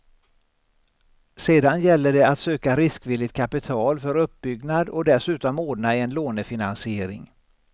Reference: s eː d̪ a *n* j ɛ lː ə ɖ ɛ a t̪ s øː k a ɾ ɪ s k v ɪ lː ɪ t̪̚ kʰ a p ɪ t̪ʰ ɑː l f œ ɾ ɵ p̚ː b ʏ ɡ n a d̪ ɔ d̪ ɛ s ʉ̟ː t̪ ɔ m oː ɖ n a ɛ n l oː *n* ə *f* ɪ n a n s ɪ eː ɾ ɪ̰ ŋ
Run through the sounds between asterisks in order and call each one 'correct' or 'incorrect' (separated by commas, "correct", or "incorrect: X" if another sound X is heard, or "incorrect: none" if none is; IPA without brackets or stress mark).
correct, correct, correct